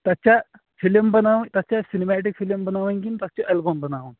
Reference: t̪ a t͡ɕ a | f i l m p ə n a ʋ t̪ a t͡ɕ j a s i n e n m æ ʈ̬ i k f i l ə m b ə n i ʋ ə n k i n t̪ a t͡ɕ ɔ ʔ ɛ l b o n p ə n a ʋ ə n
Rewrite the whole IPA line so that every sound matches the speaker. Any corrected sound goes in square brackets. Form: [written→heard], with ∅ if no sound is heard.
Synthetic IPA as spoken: t̪ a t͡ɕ a | f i l m [p→b] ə n a ʋ t̪ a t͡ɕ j a s i n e [n→∅] m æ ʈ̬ i k f i l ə m b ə n [i→a] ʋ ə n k i n t̪ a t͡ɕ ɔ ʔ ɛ l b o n [p→b] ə n a ʋ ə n

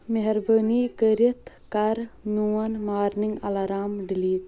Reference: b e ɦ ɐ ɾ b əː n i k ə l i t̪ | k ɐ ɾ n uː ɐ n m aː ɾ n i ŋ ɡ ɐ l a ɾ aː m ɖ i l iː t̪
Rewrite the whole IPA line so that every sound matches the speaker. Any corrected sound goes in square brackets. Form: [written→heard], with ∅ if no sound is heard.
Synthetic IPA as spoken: [b→m] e ɦ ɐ ɾ b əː n i k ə [l→ɾ] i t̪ | k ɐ ɾ n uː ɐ n m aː ɾ n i ŋ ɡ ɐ l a ɾ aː m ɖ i l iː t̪

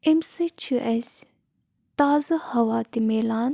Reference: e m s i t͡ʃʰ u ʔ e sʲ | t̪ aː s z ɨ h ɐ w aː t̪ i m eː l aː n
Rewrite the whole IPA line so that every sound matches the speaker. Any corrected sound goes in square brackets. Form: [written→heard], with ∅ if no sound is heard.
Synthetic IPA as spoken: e m s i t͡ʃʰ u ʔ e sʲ | t̪ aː [s→∅] z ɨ h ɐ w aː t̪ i m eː l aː n

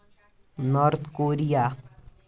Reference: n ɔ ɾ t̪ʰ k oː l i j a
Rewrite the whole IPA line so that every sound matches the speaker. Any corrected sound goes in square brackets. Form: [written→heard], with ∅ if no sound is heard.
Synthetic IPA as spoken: n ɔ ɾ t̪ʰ k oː [l→ɾ] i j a

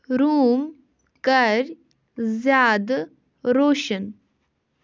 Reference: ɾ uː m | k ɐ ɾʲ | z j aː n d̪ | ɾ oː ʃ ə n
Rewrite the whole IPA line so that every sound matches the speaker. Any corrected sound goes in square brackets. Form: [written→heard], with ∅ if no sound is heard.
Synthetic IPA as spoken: ɾ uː m | k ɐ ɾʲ | z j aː [n→∅] d̪ | ɾ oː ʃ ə n

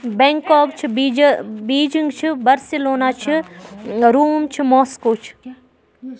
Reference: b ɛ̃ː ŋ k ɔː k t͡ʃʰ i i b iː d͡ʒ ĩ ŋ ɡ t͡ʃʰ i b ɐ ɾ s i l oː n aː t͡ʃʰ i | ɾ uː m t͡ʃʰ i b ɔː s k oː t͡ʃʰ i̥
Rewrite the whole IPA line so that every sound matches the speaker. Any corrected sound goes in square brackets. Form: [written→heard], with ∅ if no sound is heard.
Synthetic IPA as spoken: b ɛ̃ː ŋ k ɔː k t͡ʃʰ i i b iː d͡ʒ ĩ ŋ ɡ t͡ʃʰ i b ɐ ɾ s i l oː n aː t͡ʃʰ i | ɾ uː m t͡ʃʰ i [b→m] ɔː s k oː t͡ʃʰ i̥

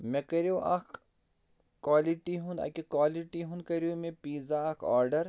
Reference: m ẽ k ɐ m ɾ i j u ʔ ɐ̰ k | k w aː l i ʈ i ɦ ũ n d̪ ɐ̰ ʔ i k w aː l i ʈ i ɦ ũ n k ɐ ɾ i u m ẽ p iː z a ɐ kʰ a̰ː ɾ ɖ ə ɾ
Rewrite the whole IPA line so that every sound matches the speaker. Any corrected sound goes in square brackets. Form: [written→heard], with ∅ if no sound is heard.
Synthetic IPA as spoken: m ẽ k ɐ [m→∅] ɾ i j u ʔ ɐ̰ k | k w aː l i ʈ i ɦ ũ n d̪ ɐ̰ [ʔ→k] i k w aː l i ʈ i ɦ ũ n k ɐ ɾ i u m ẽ p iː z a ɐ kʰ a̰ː ɾ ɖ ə ɾ

